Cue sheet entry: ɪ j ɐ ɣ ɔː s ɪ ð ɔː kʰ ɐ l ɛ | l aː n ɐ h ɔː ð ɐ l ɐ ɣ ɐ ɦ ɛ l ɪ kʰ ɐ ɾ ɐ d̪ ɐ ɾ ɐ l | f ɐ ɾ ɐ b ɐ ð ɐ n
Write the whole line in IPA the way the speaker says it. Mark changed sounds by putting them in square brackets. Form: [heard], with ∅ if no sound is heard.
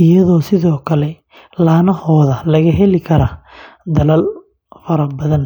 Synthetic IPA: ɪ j ɐ [ð] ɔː s ɪ ð ɔː kʰ ɐ l ɛ | l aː n ɐ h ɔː ð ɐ l ɐ ɣ ɐ ɦ ɛ l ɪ kʰ ɐ ɾ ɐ d̪ ɐ [l] ɐ l | f ɐ ɾ ɐ b ɐ ð ɐ n